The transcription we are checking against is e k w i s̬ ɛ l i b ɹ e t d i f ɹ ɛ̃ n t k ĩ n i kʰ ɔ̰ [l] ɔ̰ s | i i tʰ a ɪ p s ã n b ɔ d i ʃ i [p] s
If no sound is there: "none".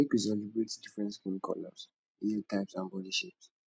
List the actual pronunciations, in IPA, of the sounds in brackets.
l, p

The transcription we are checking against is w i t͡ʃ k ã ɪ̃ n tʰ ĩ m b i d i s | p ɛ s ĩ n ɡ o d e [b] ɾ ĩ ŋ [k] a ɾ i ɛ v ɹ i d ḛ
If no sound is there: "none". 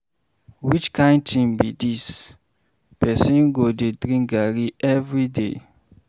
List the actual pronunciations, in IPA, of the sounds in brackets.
d, ɡ

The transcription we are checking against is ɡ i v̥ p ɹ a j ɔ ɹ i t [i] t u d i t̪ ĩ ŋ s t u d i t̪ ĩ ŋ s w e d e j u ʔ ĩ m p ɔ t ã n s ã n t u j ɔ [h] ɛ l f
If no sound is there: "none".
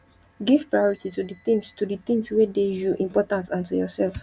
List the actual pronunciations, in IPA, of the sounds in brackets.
i, s

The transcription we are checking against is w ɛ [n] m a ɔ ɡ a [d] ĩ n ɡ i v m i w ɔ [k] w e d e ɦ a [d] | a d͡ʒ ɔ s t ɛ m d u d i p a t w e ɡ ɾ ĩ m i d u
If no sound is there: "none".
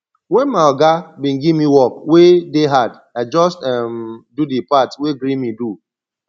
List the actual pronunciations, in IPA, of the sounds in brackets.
n, b, k, d

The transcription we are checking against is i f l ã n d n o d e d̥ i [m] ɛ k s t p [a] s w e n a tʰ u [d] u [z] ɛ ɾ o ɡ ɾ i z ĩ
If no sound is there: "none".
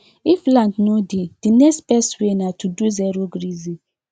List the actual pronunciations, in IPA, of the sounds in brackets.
n, ɛ, d, z

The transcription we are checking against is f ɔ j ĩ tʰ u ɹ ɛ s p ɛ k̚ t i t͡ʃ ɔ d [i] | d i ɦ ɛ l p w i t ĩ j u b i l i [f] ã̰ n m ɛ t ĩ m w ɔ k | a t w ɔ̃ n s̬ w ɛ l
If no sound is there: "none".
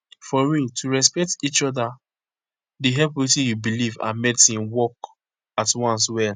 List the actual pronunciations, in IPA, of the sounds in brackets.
a, v

